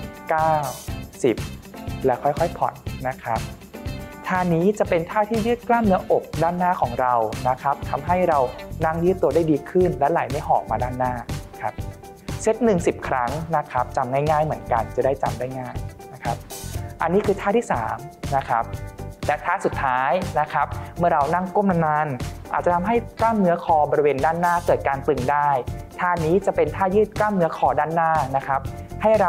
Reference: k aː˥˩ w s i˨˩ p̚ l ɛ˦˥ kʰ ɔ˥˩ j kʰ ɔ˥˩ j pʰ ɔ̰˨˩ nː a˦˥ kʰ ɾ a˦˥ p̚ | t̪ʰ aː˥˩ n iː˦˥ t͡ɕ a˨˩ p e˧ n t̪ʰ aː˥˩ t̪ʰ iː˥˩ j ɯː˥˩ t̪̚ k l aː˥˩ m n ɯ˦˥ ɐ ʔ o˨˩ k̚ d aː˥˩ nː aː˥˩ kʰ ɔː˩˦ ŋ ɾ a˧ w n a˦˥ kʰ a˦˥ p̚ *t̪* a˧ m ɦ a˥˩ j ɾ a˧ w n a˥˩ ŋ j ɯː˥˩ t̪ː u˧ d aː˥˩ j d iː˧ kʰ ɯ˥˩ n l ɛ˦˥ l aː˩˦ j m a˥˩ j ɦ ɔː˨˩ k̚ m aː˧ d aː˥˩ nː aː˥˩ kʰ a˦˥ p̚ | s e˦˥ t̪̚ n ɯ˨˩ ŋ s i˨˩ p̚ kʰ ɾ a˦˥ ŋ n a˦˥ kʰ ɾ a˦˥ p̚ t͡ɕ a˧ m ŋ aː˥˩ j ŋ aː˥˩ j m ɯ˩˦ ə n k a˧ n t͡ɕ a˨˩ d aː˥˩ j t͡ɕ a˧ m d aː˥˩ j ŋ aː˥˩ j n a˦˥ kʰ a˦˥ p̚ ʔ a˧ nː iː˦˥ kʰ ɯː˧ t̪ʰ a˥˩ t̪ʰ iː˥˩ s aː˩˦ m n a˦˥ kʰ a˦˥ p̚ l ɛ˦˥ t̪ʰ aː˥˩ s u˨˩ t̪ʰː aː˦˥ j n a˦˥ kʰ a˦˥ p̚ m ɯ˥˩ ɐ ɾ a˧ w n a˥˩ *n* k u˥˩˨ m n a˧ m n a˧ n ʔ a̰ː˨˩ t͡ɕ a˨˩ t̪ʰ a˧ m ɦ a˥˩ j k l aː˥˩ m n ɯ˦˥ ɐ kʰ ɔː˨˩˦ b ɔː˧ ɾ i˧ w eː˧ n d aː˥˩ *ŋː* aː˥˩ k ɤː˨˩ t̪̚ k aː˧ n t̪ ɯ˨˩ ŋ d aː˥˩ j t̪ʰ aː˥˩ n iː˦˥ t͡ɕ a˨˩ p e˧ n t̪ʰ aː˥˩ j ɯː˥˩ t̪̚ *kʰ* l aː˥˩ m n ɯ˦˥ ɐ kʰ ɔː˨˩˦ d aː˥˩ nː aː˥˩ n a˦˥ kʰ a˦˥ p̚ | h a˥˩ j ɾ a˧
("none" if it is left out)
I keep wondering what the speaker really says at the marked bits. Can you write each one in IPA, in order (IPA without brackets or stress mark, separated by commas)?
t̪ʰ, ŋ, nː, k